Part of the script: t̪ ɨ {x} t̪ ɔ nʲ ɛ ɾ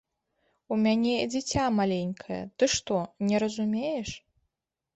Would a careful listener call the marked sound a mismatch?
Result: yes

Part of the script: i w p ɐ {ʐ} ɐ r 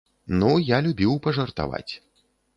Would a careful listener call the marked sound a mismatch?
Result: no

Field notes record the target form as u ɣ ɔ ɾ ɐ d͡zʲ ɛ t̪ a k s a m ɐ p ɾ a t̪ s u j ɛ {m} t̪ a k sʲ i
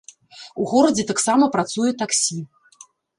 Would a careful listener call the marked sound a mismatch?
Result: yes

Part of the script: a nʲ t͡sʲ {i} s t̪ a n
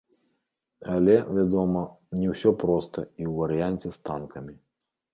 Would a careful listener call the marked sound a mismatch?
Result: yes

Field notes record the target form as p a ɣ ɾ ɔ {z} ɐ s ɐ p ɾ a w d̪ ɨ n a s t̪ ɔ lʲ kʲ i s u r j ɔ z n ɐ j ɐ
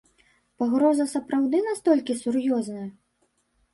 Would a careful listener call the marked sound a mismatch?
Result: no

